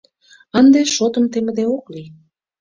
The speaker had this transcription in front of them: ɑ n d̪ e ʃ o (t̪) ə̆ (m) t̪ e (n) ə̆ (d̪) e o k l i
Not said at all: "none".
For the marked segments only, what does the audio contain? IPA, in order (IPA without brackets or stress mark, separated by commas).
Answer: t̪, m, m, d̪